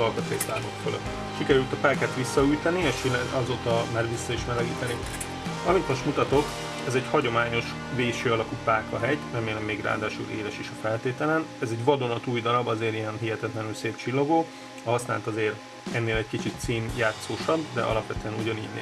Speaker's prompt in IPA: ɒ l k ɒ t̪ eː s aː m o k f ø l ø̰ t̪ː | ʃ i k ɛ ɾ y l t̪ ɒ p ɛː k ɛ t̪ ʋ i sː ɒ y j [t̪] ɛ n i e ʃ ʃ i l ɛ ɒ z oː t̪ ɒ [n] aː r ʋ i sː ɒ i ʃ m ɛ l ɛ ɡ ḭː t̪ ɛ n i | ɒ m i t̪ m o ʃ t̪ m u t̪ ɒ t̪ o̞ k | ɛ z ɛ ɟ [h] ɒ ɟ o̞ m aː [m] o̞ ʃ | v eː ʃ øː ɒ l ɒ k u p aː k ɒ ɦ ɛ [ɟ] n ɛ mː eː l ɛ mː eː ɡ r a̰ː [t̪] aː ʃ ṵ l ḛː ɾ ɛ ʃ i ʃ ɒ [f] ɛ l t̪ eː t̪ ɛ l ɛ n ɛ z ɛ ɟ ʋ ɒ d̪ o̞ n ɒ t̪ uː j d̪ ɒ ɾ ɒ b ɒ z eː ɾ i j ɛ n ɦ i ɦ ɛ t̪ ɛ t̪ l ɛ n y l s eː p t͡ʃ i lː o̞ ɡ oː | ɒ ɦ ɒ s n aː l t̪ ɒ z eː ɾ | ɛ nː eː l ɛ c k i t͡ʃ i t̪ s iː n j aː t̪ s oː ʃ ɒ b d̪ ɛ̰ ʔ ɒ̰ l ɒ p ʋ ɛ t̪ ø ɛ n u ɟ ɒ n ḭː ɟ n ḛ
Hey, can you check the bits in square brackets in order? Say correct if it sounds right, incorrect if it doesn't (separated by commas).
correct, incorrect, correct, incorrect, correct, incorrect, correct